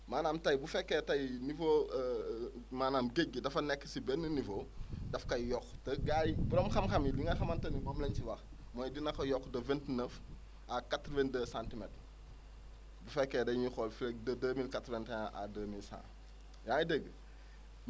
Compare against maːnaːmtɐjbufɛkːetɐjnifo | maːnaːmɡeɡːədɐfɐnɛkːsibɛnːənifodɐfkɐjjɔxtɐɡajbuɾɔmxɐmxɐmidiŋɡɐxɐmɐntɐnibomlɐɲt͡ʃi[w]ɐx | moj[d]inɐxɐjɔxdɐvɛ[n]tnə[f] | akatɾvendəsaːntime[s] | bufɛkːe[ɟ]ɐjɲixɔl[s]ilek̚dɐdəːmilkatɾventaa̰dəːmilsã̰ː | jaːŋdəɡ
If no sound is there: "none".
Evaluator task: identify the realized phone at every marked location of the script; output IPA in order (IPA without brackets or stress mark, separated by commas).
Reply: w, d, n, f, t, d, f